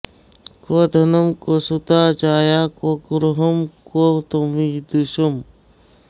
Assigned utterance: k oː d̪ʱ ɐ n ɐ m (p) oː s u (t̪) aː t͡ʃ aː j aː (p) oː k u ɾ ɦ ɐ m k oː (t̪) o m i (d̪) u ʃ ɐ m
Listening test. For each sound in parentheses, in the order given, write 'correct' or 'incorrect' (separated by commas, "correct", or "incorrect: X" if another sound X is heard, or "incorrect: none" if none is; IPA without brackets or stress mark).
incorrect: k, correct, incorrect: k, correct, correct